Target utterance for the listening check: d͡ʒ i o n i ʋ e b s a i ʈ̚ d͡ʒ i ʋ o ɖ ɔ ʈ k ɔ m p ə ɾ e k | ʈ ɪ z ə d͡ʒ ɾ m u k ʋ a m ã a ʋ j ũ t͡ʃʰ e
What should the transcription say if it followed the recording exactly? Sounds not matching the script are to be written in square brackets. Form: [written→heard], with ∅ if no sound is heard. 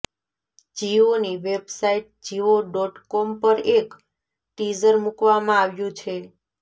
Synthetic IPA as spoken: d͡ʒ i o n i ʋ e b s a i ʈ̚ d͡ʒ i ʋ o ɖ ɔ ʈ k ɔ m p ə ɾ e k | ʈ [ɪ→i] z ə [d͡ʒ→∅] ɾ m u k ʋ a m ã a ʋ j ũ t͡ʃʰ e